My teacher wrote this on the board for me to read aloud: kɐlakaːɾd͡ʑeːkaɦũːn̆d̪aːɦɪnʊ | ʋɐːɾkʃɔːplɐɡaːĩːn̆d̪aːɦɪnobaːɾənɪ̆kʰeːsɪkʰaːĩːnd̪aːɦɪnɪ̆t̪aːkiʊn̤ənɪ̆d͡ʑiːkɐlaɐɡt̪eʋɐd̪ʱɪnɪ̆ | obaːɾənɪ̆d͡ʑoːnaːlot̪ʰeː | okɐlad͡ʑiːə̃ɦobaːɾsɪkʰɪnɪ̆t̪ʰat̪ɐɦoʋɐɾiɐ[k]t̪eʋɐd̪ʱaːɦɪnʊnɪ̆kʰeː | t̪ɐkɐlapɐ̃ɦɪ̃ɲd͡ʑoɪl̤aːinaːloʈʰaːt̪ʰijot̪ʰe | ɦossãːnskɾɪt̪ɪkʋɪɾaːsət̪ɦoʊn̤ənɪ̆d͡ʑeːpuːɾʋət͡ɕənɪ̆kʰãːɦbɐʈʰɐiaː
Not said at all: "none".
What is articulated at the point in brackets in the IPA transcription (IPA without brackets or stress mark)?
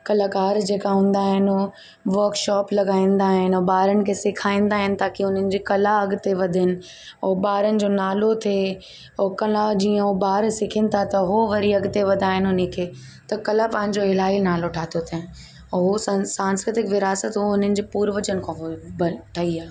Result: ɡ